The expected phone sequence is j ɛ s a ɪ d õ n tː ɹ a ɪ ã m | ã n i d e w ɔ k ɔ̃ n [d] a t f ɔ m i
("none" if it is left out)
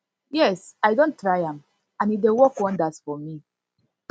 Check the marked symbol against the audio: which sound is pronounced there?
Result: d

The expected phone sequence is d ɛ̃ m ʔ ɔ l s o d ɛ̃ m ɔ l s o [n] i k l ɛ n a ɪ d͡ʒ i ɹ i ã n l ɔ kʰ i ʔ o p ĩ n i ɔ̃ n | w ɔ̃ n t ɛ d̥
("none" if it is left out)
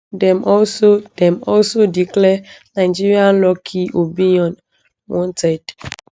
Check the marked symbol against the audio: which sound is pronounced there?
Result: d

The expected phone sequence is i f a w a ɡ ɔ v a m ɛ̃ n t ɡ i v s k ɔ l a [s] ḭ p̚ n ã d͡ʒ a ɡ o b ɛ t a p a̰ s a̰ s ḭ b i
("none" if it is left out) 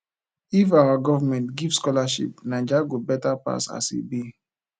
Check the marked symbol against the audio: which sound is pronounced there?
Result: ʃ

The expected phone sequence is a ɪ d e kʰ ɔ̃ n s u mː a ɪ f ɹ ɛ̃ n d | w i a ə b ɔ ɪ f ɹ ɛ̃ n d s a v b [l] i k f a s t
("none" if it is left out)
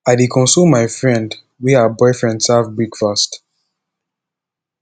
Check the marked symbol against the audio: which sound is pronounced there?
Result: ɹ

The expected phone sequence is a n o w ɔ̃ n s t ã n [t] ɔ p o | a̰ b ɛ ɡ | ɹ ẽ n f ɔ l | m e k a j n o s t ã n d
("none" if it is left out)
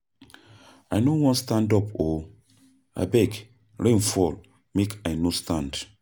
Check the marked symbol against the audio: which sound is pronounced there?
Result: d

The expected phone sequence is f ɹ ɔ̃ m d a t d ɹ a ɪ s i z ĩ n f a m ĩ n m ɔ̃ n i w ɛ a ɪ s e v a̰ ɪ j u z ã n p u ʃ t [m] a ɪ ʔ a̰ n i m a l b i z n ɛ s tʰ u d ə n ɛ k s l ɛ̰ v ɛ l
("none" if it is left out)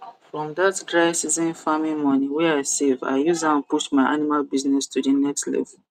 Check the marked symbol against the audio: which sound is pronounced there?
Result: m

